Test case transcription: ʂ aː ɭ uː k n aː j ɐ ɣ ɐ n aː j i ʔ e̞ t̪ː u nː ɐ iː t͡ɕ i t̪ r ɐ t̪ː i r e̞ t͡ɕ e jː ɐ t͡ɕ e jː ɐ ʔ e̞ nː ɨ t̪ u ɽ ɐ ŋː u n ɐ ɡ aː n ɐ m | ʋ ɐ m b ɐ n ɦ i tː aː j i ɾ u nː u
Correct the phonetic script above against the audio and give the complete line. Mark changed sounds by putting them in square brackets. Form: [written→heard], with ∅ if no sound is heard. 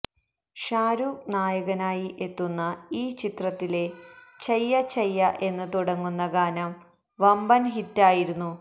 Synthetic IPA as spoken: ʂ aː [ɭ→ɾ] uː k n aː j ɐ ɣ ɐ n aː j i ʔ e̞ t̪ː u nː ɐ iː t͡ɕ i t̪ r ɐ t̪ː i [r→l] e̞ t͡ɕ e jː ɐ t͡ɕ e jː ɐ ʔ e̞ nː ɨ t̪ u ɽ ɐ ŋː u [n→nː] ɐ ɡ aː n ɐ m | ʋ ɐ m b ɐ n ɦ i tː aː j i ɾ u nː u